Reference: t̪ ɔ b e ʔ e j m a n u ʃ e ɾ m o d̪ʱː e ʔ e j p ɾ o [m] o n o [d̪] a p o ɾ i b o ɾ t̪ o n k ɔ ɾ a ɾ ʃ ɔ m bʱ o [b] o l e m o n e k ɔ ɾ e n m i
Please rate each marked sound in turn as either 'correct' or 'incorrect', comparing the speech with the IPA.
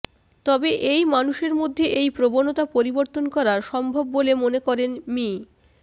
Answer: incorrect: b, incorrect: t̪, incorrect: bː

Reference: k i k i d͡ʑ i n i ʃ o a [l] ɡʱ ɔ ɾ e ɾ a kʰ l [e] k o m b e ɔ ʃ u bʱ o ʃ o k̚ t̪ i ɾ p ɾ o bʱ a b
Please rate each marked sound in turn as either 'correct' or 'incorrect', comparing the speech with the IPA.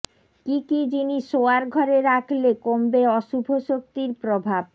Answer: incorrect: ɾ, correct

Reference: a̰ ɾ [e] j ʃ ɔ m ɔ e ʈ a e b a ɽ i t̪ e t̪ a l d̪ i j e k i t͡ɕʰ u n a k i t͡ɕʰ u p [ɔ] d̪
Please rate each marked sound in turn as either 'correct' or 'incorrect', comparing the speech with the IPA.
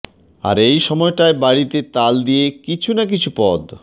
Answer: correct, correct

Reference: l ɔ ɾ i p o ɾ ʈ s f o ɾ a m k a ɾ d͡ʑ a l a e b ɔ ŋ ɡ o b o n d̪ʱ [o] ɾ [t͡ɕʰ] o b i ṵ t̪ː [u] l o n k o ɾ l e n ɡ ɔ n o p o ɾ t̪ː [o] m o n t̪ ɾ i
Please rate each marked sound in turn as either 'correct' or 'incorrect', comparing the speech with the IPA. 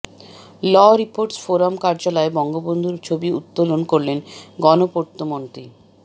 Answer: incorrect: u, correct, incorrect: o, correct

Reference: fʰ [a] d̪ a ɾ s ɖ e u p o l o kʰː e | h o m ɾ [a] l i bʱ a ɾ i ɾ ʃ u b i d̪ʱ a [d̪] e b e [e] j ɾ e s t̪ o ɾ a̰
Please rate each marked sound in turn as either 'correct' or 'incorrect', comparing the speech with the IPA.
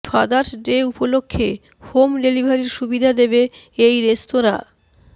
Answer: correct, incorrect: e, correct, correct

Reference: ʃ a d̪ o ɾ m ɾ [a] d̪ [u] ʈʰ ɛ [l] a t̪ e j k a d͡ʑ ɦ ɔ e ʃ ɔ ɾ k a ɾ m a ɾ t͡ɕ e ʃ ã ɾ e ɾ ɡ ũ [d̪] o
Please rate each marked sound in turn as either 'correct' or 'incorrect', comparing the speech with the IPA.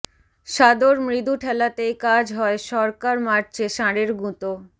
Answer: incorrect: i, correct, correct, incorrect: t̪

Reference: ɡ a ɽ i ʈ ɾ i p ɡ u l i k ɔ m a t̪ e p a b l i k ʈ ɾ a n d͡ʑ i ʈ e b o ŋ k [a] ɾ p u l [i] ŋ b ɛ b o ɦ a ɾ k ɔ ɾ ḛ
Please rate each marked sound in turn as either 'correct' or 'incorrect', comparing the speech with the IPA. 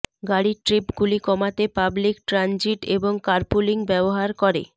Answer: correct, correct

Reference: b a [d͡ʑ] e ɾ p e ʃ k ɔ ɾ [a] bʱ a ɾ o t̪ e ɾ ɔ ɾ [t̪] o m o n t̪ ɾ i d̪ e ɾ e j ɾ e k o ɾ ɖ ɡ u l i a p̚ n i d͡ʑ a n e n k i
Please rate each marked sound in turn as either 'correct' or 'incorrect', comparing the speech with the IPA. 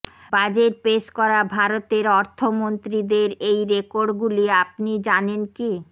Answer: correct, correct, incorrect: t̪ʰ

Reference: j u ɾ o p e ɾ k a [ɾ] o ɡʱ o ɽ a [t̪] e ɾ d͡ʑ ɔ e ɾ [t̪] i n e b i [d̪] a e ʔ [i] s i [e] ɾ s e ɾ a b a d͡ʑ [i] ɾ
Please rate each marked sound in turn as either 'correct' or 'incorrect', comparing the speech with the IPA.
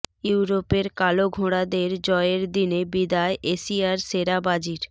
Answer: incorrect: l, incorrect: d̪, incorrect: d̪, correct, incorrect: e, incorrect: a, correct

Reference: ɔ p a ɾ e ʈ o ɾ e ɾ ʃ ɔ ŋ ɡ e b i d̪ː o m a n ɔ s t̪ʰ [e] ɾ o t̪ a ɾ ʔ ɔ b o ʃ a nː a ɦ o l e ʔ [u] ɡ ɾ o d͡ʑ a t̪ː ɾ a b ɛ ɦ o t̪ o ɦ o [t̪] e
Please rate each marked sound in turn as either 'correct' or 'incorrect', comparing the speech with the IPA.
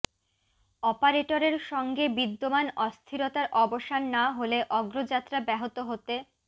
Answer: incorrect: i, incorrect: ɔ, correct

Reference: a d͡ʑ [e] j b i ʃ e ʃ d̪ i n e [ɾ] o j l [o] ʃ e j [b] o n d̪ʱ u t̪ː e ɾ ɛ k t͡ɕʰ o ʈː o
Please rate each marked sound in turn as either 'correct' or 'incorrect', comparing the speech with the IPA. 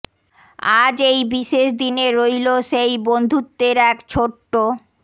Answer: correct, correct, correct, correct

